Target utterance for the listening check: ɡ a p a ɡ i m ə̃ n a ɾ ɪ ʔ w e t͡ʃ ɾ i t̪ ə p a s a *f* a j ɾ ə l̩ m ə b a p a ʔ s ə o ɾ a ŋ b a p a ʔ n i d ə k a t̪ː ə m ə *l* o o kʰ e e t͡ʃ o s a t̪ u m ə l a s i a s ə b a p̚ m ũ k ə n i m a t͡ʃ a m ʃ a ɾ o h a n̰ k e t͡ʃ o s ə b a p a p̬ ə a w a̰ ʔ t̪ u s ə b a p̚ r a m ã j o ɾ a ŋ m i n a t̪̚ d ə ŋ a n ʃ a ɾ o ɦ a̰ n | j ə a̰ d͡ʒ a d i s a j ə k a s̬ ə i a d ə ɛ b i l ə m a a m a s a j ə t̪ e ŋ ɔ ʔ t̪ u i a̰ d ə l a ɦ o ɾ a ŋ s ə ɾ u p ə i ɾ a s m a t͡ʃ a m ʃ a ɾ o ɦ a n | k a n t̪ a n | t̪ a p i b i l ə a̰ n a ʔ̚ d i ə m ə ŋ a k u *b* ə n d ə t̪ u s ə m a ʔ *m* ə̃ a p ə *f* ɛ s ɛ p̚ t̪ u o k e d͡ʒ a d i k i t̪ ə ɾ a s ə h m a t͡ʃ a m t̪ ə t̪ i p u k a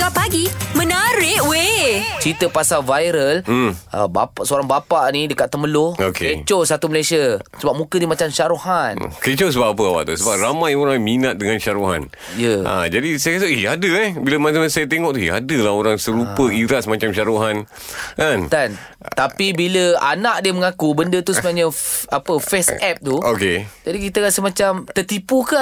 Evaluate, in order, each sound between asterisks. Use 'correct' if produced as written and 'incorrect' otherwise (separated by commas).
incorrect, correct, correct, incorrect, correct